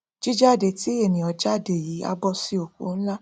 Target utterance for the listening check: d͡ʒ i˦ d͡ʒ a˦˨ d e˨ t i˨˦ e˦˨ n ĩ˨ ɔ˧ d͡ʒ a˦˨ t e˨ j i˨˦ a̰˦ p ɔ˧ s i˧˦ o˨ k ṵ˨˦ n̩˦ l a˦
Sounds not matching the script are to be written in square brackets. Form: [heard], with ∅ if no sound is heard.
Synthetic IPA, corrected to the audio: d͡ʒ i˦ d͡ʒ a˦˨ d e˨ t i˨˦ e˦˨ n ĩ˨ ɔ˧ d͡ʒ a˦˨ [d] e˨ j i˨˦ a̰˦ [b] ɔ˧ s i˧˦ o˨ k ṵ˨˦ n̩˦ l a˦